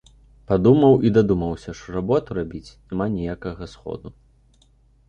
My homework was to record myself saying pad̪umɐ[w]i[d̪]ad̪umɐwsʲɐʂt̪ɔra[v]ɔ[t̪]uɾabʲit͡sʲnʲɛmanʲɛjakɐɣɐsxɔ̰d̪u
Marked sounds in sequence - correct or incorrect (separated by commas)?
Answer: correct, correct, incorrect, correct